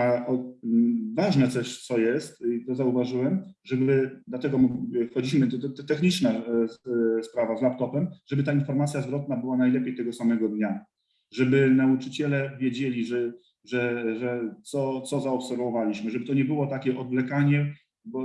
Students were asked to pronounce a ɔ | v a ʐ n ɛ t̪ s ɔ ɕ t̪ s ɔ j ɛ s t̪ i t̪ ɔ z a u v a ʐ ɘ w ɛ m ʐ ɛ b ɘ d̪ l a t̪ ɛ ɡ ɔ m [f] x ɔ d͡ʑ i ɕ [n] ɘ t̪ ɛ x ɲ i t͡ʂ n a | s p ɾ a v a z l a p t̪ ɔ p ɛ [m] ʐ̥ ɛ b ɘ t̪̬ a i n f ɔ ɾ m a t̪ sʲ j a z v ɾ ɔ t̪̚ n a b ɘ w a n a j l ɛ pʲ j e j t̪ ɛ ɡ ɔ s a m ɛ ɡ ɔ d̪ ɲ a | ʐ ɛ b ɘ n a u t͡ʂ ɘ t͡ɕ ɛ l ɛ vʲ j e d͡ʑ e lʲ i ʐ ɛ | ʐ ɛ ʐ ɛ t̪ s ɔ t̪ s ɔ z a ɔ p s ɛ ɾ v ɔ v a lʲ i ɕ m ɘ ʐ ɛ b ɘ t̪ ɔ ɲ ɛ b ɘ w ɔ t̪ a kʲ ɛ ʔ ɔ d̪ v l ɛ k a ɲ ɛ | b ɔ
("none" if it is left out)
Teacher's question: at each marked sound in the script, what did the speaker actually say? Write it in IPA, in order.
f, m, m

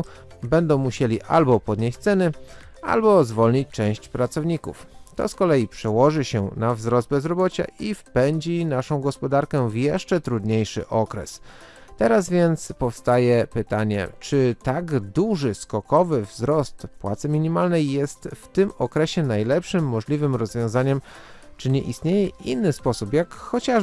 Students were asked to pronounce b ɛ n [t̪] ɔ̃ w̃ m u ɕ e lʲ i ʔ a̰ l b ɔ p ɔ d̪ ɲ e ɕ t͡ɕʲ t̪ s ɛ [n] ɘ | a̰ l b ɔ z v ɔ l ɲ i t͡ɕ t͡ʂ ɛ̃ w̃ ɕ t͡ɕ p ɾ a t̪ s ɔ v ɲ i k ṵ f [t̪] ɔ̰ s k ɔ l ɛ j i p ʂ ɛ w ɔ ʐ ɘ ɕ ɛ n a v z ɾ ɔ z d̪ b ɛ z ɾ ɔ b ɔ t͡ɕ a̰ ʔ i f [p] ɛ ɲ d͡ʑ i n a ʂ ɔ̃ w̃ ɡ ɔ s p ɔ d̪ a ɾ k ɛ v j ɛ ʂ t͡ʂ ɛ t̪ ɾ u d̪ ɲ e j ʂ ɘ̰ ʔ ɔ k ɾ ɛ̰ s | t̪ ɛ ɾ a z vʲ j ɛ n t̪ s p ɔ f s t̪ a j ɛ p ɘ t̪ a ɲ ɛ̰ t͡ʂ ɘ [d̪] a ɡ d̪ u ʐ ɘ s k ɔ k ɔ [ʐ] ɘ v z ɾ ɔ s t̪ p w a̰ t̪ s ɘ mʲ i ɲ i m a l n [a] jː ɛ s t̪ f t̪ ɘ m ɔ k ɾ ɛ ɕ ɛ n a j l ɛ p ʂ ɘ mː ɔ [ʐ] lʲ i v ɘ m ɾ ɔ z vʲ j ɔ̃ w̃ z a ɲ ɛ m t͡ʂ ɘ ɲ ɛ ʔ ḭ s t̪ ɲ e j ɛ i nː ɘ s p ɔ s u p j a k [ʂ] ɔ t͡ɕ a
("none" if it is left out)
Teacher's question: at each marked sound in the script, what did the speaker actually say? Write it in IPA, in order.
d̪, n, t̪, p, t̪, v, ɛ, ʐ, x

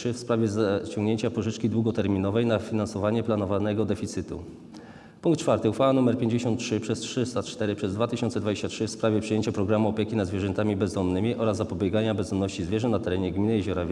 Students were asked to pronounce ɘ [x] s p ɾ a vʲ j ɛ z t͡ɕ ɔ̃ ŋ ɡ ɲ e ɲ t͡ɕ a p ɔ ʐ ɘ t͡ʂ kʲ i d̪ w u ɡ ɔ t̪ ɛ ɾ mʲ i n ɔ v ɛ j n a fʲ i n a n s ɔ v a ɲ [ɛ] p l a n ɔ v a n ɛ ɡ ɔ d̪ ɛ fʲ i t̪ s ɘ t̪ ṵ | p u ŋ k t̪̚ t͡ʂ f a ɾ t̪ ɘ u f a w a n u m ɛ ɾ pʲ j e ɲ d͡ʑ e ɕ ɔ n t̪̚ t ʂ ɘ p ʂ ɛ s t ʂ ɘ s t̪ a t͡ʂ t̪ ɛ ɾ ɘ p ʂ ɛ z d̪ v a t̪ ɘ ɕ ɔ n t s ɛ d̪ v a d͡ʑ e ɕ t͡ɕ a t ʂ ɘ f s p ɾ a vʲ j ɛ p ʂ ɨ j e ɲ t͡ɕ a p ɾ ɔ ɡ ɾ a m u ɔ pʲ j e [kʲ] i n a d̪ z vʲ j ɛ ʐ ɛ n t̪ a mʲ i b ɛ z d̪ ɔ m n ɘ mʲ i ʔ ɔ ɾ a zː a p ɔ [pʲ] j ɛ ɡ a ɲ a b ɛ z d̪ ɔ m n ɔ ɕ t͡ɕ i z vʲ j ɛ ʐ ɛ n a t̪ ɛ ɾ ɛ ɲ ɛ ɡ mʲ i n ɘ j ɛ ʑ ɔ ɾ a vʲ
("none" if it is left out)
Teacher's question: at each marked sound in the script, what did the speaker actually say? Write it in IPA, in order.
f, ɛ, kʲ, bʲ

